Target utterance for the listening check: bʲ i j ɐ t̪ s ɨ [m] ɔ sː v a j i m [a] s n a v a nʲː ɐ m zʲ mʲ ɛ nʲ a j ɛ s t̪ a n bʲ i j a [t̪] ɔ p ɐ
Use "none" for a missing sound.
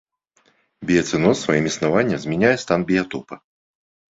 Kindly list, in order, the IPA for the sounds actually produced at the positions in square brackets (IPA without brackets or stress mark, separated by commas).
n, i, t̪